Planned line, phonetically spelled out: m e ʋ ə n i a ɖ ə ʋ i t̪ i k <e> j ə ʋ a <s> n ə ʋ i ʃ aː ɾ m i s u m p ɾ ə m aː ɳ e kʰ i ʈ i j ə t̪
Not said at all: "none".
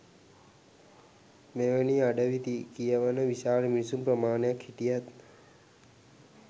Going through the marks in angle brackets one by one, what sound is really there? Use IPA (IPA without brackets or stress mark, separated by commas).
i, none